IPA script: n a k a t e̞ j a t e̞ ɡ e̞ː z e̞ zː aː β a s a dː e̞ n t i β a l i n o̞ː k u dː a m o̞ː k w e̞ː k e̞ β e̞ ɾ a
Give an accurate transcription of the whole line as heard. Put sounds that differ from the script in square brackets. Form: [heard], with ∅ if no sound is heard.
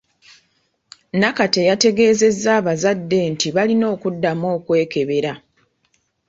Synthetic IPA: n a k a t e̞ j a t e̞ ɡ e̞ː z e̞ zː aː β a [z] a dː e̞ n t i β a l i n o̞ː k u dː a m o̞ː k w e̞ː k e̞ β e̞ ɾ a